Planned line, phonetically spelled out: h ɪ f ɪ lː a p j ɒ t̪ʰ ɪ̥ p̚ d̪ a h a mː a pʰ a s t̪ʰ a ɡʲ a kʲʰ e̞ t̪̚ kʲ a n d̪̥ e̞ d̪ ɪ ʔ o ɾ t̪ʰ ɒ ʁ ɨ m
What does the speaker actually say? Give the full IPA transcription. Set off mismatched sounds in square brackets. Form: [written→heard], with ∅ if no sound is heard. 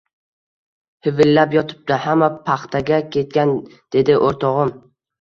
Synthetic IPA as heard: h ɪ [f→v] ɪ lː a p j ɒ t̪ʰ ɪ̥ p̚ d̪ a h a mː a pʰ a [s→χ] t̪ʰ a ɡʲ a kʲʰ e̞ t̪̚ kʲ a n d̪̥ e̞ d̪ ɪ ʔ o ɾ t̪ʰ ɒ ʁ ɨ m